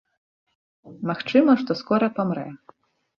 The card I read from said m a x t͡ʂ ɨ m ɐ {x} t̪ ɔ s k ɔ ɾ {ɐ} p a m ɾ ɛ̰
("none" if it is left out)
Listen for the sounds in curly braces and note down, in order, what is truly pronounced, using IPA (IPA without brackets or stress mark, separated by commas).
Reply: ʂ, ɐ